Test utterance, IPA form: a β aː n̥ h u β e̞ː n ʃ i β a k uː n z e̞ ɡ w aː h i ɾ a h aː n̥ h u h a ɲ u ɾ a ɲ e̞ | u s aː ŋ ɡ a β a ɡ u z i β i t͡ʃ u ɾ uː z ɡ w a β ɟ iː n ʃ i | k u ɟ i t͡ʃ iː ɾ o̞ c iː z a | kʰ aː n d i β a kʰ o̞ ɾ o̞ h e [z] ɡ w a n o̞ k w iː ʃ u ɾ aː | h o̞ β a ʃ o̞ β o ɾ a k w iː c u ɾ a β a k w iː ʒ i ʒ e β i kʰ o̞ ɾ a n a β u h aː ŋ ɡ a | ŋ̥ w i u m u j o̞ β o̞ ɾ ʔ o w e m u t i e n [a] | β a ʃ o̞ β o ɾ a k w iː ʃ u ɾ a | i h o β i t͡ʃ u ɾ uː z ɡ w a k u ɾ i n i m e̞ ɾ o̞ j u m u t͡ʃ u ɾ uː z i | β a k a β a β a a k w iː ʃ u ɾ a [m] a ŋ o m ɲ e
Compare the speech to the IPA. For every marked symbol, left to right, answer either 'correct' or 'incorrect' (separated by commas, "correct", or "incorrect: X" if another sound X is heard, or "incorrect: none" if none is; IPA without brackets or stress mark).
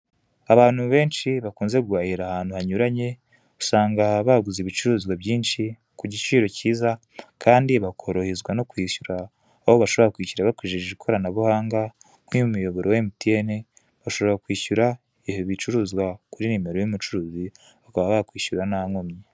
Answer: correct, incorrect: e, incorrect: n